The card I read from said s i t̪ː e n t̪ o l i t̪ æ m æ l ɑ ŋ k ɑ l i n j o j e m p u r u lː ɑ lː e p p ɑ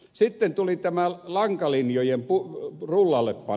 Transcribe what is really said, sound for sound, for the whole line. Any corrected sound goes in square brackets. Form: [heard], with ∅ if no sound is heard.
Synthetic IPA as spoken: s i t̪ː e n t̪ [u] l i t̪ æ m æ l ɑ ŋ k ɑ l i n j o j e m p u r u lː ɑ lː e p p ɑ